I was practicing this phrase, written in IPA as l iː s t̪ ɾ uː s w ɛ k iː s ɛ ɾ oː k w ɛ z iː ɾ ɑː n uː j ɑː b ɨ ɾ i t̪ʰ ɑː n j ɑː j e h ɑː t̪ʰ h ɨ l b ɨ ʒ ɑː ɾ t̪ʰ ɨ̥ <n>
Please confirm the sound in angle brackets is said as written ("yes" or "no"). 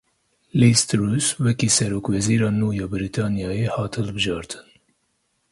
yes